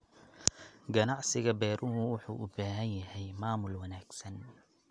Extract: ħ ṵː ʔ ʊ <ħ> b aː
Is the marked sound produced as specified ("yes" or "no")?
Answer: no